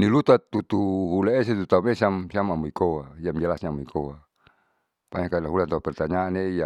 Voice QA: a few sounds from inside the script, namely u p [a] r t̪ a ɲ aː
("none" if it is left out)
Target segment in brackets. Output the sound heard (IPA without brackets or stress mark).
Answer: ɛ